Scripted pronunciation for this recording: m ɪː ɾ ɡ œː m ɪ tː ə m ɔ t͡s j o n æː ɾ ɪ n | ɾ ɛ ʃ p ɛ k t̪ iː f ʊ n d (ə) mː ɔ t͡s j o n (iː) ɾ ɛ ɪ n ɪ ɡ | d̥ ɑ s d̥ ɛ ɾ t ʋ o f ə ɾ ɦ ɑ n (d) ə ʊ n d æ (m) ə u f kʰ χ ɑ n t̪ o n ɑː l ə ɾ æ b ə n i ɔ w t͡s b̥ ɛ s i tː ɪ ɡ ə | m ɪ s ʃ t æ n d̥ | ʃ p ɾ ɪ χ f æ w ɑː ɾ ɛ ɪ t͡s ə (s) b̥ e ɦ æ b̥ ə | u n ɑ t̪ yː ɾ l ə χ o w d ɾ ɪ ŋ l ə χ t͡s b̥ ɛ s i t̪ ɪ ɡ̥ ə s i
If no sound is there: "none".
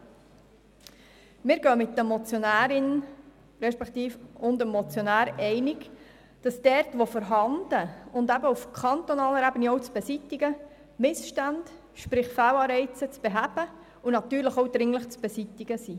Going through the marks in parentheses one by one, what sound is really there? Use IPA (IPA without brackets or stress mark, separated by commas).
ə, æː, d, b, t͡s